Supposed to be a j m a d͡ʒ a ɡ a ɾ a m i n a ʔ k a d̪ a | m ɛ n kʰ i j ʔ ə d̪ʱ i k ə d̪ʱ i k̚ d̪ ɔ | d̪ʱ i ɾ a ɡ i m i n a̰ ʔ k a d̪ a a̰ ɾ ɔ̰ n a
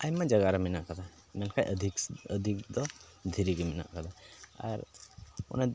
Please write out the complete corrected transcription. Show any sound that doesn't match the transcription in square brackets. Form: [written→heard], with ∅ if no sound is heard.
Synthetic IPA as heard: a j m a d͡ʒ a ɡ a ɾ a m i n a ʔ k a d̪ a | m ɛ n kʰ [i→a] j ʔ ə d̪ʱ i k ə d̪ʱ i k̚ d̪ ɔ | d̪ʱ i ɾ [a→i] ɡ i m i n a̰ ʔ k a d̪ a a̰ ɾ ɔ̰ n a